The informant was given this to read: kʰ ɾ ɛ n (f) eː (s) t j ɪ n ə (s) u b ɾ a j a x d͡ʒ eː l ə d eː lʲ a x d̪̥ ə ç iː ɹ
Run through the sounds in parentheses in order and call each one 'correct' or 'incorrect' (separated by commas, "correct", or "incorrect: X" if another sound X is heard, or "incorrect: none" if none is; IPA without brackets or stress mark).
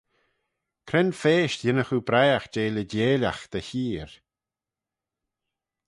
correct, incorrect: ʃ, incorrect: x